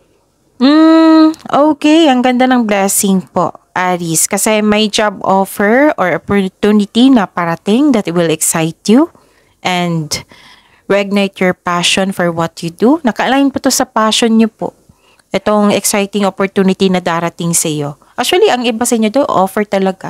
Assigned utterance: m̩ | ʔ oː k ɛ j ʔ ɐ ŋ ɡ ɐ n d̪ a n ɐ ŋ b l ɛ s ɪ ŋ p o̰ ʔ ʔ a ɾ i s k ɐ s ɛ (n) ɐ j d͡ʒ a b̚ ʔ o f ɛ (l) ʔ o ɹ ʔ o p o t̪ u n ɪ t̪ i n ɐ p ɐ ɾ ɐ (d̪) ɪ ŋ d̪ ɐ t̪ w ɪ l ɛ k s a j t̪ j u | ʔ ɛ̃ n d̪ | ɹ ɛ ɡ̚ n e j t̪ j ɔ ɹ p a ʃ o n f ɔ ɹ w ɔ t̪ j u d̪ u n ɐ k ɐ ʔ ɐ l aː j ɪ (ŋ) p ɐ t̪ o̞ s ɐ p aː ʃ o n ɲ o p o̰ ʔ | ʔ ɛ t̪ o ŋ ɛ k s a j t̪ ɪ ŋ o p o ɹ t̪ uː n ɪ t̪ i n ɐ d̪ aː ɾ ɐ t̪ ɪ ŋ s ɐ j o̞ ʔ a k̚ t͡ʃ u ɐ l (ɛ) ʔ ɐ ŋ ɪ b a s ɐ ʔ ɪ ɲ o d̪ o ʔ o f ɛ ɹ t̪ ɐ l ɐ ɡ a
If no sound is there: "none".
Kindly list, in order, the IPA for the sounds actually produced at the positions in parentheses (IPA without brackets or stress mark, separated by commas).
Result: m, ɹ, t̪, n, i